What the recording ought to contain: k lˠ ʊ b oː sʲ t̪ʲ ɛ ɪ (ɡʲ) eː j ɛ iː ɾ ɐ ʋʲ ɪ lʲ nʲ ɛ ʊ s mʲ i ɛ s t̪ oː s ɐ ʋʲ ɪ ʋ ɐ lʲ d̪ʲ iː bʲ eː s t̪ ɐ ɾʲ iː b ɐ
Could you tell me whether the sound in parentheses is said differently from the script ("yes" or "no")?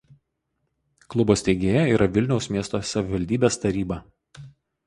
no